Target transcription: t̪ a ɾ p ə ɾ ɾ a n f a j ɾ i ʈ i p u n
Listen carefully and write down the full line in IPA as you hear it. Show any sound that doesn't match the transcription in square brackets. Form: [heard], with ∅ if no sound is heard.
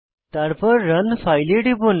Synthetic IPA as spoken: t̪ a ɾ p ə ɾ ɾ [ə] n f a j [l] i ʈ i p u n